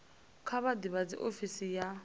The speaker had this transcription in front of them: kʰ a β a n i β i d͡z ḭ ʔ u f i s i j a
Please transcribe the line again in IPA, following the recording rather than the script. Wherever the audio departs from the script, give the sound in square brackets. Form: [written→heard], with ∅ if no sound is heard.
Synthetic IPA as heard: kʰ a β a [n→d] i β [i→a] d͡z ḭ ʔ [u→o] f i s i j a